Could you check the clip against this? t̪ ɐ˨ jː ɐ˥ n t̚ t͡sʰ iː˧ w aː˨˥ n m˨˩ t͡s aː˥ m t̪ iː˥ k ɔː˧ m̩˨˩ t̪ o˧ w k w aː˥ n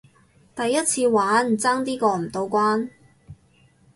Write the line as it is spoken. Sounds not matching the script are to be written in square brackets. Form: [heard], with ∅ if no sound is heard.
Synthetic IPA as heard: t̪ ɐ˨ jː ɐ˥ [∅] t̚ t͡sʰ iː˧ w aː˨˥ n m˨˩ t͡s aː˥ [ŋ] t̪ iː˥ k ɔː˧ m̩˨˩ t̪ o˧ w k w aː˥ n